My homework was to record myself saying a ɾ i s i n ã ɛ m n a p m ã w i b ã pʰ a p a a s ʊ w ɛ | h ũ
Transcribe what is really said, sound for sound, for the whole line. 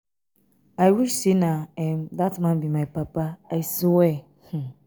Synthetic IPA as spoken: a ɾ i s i n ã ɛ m d a t m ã b i m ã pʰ a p a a s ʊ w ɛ | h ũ